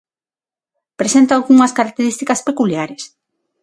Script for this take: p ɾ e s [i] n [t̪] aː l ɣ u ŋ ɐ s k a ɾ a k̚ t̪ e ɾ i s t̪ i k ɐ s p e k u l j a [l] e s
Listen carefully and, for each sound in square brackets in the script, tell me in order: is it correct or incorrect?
incorrect, correct, incorrect

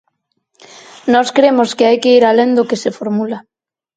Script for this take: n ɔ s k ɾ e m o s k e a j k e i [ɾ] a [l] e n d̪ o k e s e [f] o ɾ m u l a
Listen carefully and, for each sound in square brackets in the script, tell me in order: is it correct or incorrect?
correct, correct, correct

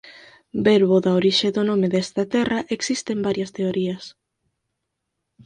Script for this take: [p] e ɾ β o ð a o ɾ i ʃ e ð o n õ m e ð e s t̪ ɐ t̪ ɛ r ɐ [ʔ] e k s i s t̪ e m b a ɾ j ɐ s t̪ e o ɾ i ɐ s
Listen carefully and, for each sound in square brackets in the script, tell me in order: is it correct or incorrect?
incorrect, correct

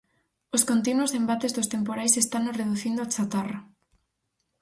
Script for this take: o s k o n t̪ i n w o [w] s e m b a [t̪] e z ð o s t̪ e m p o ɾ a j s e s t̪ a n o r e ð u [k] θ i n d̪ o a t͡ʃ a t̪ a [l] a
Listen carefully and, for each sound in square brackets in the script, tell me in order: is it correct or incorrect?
incorrect, correct, incorrect, incorrect

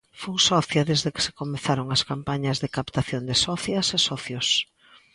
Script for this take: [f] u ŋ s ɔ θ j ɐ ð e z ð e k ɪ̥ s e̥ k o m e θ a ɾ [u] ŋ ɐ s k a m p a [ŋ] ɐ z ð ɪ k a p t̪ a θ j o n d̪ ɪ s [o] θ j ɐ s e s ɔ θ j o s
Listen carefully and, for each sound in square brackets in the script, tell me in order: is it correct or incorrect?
correct, incorrect, incorrect, incorrect

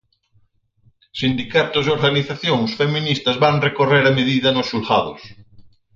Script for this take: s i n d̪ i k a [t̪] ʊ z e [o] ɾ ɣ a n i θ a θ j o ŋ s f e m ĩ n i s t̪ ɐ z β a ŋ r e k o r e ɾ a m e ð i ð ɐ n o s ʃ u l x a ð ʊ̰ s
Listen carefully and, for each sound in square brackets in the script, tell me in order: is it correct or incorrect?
correct, correct

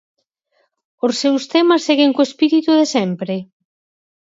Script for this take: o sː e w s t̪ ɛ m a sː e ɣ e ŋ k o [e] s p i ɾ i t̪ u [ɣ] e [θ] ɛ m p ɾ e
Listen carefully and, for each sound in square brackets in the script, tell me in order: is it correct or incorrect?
correct, incorrect, incorrect

